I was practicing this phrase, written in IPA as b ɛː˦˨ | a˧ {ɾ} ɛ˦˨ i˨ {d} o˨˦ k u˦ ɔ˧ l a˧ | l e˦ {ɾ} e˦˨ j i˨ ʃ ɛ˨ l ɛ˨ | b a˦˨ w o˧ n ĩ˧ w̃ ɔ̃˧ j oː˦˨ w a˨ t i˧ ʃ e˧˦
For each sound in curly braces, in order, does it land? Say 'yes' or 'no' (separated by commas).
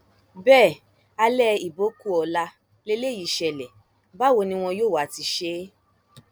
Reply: no, no, no